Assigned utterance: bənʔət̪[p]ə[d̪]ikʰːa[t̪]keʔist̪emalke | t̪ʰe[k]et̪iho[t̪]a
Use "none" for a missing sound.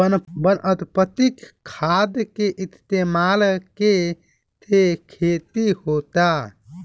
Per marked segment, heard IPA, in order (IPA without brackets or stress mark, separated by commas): p, t̪, d̪, kʰ, t̪